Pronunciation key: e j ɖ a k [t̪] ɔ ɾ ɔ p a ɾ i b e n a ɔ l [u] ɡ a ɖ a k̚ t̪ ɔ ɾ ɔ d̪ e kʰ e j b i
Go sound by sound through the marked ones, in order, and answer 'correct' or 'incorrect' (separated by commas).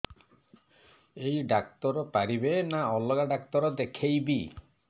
correct, incorrect